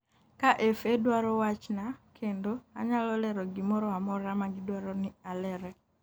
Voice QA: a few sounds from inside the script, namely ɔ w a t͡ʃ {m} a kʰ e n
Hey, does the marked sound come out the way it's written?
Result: no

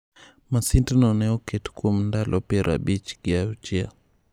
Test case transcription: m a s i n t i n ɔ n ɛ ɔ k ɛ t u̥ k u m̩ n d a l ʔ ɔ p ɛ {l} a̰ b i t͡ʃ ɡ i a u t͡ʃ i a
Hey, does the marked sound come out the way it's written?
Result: no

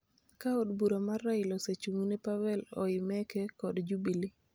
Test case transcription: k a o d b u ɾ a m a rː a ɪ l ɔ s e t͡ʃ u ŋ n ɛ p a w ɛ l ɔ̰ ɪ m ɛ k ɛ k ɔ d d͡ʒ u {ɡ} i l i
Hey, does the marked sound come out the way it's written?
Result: no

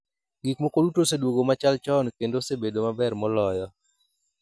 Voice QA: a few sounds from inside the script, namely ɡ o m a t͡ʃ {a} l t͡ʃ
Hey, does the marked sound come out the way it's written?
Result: yes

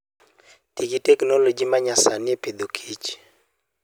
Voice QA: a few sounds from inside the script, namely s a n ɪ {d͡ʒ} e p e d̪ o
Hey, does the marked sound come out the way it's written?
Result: no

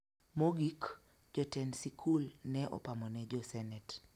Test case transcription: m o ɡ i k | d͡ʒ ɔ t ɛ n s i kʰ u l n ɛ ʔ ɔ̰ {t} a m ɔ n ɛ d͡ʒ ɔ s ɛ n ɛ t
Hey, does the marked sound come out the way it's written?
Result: no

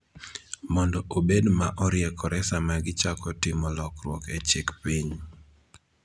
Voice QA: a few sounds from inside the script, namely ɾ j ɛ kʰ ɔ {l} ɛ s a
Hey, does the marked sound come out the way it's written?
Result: no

